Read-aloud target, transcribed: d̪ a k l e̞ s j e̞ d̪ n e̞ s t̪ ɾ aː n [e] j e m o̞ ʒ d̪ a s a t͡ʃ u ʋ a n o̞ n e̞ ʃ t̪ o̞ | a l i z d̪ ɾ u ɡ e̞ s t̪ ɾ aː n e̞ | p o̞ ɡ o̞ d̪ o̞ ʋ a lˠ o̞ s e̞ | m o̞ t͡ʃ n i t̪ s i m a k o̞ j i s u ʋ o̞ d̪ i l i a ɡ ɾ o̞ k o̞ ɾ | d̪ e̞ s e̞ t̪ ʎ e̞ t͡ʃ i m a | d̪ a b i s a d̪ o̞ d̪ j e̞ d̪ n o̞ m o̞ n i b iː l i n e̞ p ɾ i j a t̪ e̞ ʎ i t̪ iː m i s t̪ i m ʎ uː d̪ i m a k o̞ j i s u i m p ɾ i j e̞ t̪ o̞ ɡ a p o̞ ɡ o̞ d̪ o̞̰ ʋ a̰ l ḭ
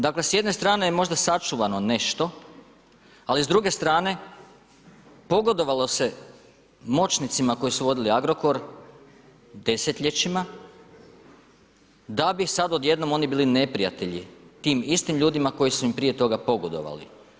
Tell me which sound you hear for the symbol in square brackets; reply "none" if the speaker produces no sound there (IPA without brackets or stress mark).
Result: e